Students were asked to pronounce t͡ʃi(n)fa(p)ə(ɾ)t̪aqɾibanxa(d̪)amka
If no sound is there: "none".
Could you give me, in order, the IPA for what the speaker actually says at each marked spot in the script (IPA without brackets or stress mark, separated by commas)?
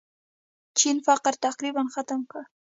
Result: n, q, ɾ, t̪